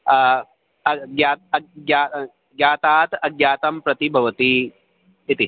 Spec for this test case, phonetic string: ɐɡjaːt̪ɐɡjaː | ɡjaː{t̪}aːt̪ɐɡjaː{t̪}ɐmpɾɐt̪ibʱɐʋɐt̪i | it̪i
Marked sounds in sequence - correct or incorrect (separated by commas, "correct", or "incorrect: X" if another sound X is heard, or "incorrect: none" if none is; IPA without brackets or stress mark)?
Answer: correct, correct